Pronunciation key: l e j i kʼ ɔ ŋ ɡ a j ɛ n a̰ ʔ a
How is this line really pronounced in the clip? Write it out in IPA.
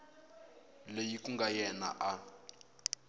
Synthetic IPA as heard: l e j i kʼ u ŋ ɡ a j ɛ n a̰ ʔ a